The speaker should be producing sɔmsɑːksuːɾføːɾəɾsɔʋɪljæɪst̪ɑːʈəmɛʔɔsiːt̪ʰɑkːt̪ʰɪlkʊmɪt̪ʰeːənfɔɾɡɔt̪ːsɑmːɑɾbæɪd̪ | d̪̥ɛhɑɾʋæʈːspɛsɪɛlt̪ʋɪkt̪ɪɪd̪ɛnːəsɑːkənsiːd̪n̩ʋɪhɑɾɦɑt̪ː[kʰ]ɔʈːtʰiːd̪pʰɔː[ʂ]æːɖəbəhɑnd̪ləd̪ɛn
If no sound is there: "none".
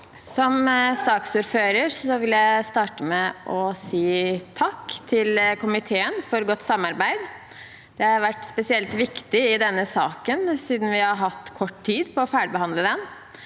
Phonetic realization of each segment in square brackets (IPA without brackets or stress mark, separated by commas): kʰ, f